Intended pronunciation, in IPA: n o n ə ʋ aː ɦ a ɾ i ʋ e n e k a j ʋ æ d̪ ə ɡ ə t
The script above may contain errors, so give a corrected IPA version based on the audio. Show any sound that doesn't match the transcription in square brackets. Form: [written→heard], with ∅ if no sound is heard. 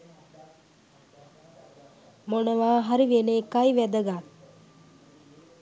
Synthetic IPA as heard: [n→m] o n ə ʋ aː ɦ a ɾ i ʋ e n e k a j ʋ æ d̪ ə ɡ [ə→a] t